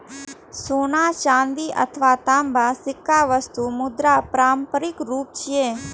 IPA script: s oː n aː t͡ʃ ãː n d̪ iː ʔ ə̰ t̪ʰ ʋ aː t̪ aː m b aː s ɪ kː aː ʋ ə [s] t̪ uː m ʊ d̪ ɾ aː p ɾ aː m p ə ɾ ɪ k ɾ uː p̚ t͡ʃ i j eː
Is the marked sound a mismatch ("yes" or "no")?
no